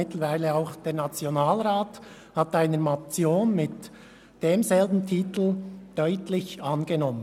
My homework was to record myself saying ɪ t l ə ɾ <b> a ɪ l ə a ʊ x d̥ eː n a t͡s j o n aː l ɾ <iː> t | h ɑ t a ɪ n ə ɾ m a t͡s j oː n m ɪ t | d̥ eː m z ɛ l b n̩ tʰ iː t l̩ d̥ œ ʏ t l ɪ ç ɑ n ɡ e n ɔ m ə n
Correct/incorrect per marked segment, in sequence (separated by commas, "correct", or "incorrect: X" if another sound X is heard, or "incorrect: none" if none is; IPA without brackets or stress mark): incorrect: v, incorrect: aː